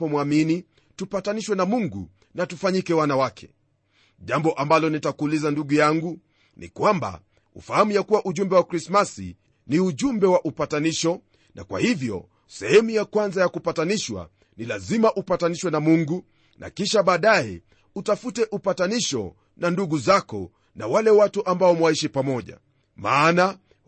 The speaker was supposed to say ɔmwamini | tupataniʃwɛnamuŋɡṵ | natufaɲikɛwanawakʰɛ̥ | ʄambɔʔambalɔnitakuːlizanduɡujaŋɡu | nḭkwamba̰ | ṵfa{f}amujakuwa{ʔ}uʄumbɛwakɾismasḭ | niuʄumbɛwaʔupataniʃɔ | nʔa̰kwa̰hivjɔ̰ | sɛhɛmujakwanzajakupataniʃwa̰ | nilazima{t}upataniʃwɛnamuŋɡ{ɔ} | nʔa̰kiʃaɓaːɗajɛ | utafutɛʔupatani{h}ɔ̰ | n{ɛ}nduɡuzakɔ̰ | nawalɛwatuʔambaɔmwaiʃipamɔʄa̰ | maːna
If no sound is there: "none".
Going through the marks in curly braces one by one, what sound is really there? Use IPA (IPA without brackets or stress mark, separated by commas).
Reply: h, ʔ, ʔ, u, ʃ, a